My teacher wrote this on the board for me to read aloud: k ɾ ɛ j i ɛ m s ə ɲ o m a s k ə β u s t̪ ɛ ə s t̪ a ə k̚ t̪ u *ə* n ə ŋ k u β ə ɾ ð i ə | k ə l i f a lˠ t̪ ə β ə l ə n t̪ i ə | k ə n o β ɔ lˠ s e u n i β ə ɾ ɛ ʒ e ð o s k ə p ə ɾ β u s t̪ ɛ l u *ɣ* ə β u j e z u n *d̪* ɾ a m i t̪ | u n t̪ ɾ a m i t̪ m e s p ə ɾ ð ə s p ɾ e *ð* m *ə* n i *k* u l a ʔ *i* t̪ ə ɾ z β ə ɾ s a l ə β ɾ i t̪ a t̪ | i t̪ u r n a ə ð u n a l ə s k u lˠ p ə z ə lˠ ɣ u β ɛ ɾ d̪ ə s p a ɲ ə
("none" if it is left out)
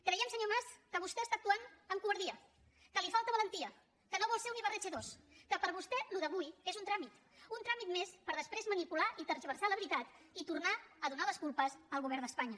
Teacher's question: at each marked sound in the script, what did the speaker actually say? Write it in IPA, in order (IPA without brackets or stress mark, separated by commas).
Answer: a, ð, t̪, z, ə, p, i